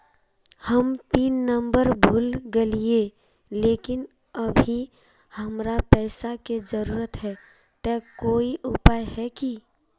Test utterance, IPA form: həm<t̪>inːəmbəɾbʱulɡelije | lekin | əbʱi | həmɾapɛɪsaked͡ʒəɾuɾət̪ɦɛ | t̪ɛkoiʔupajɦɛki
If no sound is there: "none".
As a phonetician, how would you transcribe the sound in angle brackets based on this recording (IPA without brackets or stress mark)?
t̪